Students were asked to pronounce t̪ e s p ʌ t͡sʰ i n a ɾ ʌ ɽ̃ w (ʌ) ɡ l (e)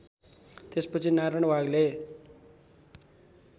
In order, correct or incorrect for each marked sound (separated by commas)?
incorrect, correct